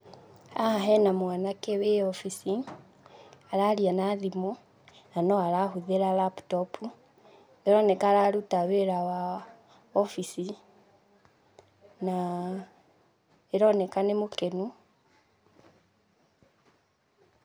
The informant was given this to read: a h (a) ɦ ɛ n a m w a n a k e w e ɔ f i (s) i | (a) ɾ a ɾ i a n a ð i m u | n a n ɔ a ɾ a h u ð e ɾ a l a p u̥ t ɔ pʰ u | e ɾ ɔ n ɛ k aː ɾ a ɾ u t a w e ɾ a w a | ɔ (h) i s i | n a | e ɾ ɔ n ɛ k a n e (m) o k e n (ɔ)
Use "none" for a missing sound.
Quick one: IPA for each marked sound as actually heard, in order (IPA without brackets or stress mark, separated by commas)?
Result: a, s, a, f, m, u